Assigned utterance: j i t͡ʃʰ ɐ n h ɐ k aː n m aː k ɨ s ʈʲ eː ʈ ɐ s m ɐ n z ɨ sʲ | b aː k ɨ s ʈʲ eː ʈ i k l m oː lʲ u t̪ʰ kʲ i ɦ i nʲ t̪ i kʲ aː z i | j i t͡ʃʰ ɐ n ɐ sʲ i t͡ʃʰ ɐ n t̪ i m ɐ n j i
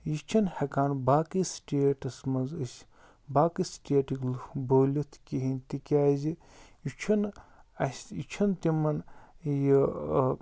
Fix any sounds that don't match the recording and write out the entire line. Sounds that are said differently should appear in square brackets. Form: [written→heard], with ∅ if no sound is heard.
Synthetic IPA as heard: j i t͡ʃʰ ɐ n h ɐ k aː n [m→b] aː k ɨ s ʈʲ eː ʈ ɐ s m ɐ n z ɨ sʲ | b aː k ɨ s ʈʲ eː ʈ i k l [m→b] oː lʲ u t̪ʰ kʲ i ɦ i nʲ t̪ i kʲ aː z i | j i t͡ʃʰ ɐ n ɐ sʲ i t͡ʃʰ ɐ n t̪ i m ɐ n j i

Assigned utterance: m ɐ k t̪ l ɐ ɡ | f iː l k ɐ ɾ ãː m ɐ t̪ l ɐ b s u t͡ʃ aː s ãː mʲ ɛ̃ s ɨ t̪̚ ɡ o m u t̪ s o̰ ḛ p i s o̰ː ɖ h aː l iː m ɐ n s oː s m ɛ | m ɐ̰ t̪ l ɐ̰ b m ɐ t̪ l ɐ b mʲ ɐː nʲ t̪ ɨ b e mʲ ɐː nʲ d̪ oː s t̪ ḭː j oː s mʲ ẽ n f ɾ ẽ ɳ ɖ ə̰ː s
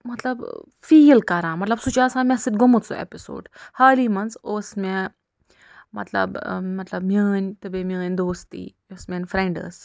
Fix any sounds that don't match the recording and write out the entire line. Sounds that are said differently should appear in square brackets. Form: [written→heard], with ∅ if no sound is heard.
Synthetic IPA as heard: m ɐ [k→∅] t̪ l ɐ [ɡ→b] | f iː l k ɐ ɾ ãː m ɐ t̪ l ɐ b s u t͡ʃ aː s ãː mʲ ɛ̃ s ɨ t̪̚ ɡ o m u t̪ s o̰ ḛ p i s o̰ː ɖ h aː l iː m ɐ n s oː s m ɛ | m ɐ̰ t̪ l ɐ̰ b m ɐ t̪ l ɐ b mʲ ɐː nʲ t̪ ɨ b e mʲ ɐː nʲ d̪ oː s t̪ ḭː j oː s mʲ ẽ n f ɾ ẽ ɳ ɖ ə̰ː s

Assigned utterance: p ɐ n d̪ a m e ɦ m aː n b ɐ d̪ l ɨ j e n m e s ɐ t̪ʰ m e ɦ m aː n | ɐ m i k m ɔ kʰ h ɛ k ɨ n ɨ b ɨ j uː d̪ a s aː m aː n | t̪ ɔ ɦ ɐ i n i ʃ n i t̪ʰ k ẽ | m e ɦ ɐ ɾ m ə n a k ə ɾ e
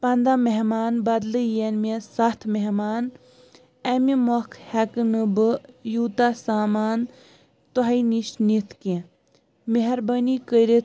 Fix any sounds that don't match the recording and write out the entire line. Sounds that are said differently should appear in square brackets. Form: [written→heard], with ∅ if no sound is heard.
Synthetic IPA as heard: p ɐ n d̪ a m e ɦ m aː n b ɐ d̪ l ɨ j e n m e s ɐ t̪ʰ m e ɦ m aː n | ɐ m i [k→∅] m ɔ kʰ h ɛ k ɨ n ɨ b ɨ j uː [d̪→t̪] a s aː m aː n | t̪ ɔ ɦ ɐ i n i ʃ n i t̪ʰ k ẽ | m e ɦ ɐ ɾ [m→b] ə n [a→i] k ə ɾ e

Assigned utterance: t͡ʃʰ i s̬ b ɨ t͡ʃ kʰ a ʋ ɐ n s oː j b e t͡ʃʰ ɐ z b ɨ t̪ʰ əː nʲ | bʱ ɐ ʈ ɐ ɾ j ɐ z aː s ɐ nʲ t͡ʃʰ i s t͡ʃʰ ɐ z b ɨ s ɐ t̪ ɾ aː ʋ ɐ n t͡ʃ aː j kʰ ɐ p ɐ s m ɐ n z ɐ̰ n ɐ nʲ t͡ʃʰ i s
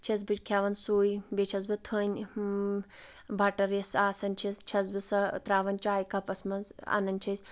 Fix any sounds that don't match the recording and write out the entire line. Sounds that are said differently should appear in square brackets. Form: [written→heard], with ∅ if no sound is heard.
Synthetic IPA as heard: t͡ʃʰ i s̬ b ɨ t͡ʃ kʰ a ʋ ɐ n s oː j b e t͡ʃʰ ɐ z b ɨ t̪ʰ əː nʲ | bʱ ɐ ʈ ɐ ɾ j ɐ [z→s] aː s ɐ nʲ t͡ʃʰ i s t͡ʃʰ ɐ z b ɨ s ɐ t̪ ɾ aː ʋ ɐ n t͡ʃ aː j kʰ ɐ p ɐ s m ɐ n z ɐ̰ n ɐ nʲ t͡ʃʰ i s

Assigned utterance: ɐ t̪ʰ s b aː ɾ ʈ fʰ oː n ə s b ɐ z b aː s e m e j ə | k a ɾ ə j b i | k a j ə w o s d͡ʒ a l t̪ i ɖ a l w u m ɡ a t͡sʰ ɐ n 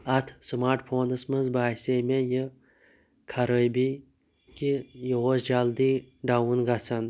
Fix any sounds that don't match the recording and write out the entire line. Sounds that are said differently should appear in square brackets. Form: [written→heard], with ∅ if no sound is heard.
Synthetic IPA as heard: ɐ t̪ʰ s [b→m] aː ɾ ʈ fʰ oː n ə s [b→m] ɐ z b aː s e m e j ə | [k→kʰ] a ɾ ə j b i | k [a→i] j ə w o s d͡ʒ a l [t̪→d̪] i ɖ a [l→∅] w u [m→n] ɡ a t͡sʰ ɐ n

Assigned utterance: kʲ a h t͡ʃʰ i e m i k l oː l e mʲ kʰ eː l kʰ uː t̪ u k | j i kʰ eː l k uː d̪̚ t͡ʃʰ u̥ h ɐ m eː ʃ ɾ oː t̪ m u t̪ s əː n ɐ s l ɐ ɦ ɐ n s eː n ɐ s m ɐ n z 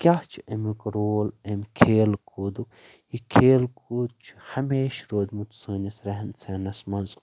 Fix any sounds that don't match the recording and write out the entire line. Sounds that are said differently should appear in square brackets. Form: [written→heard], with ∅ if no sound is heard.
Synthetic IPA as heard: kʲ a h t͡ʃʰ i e m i k [l→ɾ] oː l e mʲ kʰ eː l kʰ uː [t̪→d̪] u k | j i kʰ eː l k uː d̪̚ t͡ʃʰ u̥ h ɐ m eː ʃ ɾ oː [t̪→d̪] m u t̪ s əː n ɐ s [l→ɾ] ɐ ɦ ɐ n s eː n ɐ s m ɐ n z

